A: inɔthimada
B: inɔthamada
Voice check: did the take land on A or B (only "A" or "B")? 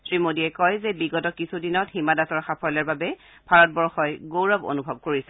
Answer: A